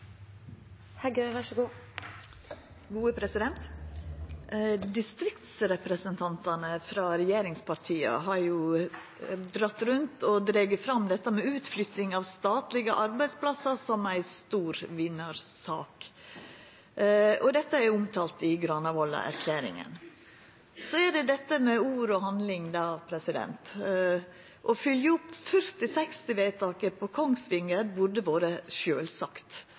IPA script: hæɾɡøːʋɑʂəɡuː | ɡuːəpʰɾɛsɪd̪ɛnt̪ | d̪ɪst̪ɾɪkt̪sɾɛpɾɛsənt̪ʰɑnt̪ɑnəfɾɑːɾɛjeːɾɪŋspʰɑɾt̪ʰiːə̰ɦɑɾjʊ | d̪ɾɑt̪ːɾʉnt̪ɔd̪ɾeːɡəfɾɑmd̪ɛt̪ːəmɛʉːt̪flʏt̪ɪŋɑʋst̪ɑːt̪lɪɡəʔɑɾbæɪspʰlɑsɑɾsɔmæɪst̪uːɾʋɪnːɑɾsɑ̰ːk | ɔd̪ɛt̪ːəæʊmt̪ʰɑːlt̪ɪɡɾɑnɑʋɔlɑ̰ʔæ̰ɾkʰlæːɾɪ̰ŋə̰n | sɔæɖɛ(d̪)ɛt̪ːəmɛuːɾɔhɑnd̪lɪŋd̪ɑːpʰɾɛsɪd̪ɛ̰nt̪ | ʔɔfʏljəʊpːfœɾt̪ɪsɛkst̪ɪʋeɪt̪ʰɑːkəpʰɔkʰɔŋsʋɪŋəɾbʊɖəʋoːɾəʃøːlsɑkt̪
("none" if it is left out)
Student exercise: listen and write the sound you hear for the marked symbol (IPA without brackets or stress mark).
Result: d̪